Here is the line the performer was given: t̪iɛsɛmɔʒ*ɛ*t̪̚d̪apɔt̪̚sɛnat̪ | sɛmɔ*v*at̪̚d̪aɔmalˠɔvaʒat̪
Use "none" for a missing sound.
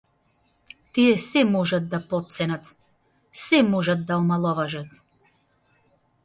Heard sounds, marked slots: a, ʒ

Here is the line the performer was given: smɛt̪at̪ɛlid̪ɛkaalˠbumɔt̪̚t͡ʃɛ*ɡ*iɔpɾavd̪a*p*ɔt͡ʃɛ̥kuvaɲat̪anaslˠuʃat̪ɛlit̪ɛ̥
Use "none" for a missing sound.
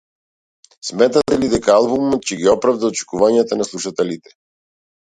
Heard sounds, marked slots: ɡ, none

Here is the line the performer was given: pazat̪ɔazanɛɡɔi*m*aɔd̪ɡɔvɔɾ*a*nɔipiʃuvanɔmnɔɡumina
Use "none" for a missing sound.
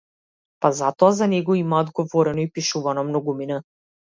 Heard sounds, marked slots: m, ɛ

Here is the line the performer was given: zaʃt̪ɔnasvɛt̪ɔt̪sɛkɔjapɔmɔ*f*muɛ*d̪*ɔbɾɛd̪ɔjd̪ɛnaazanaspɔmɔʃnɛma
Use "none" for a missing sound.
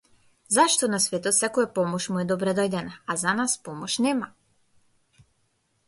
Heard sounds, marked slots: ʃ, d̪

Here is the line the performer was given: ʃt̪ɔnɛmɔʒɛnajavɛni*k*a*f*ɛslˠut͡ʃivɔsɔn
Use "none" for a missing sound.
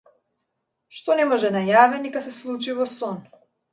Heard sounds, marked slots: k, s

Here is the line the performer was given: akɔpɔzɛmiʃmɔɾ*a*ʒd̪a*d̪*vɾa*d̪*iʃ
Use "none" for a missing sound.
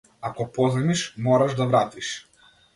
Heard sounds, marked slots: a, none, t̪

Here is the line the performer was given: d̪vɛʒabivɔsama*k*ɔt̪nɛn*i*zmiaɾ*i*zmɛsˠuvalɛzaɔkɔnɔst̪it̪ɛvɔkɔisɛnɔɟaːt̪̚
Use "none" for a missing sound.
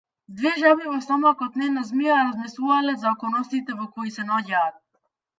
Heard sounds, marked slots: k, a, a

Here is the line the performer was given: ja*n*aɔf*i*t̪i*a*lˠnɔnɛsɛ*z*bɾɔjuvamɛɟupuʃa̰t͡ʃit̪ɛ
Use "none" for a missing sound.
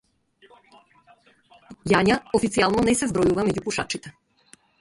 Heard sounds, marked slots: ɲ, i, a, z

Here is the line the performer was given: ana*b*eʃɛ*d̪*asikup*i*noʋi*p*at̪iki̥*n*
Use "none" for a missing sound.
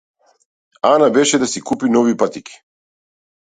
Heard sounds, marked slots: b, d̪, i, p, none

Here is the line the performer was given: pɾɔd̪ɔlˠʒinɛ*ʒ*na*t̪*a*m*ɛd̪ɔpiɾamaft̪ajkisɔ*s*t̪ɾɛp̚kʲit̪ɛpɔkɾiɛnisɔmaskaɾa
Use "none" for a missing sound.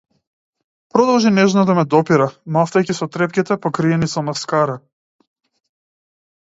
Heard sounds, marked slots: ʒ, d̪, m, none

